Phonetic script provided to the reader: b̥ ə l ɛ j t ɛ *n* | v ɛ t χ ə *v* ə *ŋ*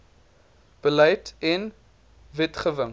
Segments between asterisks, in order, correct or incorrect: correct, correct, correct

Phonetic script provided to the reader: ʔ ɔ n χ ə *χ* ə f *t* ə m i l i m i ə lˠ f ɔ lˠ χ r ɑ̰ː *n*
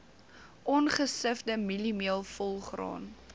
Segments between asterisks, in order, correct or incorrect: incorrect: s, incorrect: d, correct

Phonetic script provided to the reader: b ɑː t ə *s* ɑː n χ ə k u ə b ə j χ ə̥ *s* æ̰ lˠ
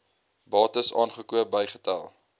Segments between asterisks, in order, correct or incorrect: correct, incorrect: t

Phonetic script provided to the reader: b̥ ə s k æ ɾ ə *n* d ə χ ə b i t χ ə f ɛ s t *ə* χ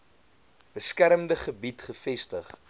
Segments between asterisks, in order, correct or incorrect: incorrect: m, correct

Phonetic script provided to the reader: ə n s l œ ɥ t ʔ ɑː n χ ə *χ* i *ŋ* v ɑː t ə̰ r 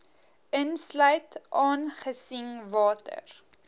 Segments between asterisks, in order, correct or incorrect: incorrect: s, correct

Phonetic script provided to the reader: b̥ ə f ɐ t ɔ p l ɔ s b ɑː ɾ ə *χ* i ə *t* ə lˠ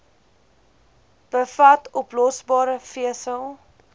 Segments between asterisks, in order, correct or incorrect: incorrect: f, incorrect: s

